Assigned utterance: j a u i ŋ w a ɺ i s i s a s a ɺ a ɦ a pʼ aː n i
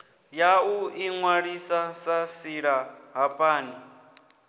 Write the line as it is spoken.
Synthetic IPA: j a u i ŋ w a ɺ i s a s a s i ɺ a ɦ a pʼ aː n i